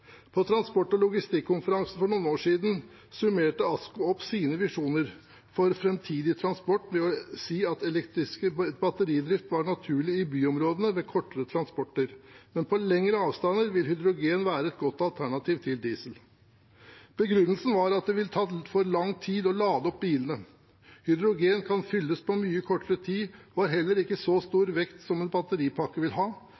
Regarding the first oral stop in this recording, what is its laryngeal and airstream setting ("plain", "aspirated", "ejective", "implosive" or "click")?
aspirated